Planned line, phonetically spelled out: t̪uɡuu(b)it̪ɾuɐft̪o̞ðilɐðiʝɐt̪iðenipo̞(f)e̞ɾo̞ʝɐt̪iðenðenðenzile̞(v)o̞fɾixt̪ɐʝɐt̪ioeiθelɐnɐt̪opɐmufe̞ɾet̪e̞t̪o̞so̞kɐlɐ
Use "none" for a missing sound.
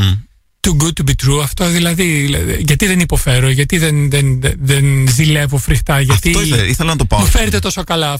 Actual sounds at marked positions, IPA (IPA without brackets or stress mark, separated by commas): b, f, v